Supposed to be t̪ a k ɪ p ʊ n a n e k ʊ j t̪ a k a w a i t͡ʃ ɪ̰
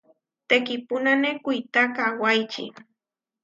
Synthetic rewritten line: t̪ e k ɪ p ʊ n a n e k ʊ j t̪ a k a w a j t͡ʃ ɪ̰

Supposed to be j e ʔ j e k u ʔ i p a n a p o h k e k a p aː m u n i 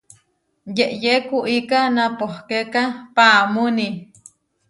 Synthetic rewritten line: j e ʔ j e k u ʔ i k a n a p o h k e k a p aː m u n i

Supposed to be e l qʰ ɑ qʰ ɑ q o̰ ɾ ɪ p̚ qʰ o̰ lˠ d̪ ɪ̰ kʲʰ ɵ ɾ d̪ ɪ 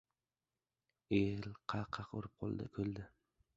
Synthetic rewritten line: e l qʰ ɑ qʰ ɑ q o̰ ɾ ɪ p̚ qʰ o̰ lˠ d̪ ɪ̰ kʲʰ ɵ l d̪ ɪ

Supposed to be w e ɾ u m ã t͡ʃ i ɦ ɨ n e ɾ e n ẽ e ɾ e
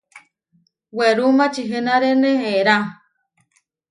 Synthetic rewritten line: w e ɾ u m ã t͡ʃ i ɦ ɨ n a ɾ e n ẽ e ɾ a

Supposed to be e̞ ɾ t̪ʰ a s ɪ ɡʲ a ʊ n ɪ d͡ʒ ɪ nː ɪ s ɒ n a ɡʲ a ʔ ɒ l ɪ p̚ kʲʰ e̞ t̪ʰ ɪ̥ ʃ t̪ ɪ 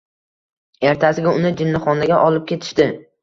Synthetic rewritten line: e̞ ɾ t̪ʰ a s ɪ ɡʲ a ʊ n ɪ d͡ʒ ɪ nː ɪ χ ɒ n a ɡʲ a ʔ ɒ l ɪ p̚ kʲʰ e̞ t̪ʰ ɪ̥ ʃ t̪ ɪ

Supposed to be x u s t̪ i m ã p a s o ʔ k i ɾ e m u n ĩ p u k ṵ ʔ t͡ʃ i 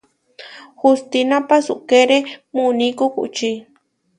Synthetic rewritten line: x u s t̪ i n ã p a s u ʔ k e ɾ e m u n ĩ k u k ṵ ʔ t͡ʃ i

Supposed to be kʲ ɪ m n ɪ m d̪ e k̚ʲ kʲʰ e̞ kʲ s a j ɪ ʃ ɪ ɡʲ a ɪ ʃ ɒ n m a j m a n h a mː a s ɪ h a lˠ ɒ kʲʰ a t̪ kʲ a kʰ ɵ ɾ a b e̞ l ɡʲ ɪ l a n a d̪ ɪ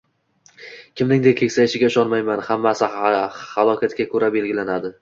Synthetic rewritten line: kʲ ɪ m n ɪ ŋ d̪ e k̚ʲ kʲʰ e̞ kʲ s a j ɪ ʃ ɪ ɡʲ a ɪ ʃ ɒ n m a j m a n h a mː a s ɪ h a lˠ ɒ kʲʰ a t̪ kʲ a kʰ ɵ ɾ a b e̞ l ɡʲ ɪ l a n a d̪ ɪ

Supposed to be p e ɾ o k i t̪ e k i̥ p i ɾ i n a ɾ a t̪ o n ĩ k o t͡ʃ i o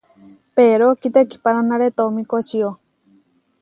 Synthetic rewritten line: p e ɾ o k i t̪ e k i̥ p a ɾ a n a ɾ e t̪ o m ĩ k o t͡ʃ i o

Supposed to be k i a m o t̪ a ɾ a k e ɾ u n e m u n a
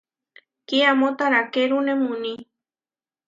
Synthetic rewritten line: k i a m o t̪ a ɾ a k e ɾ u n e m u n i

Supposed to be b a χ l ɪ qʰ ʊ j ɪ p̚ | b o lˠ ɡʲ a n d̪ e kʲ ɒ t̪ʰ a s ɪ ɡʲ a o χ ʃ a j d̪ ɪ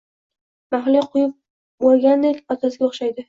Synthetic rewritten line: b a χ l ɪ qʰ ʊ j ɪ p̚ | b o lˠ ɡʲ a n d̪ e kʲ ɒ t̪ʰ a s ɪ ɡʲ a o χ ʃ a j d̪ ɪ

